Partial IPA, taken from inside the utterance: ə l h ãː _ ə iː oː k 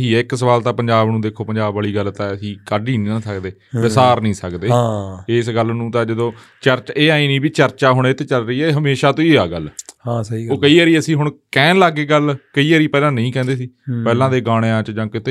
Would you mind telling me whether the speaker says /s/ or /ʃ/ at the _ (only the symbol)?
s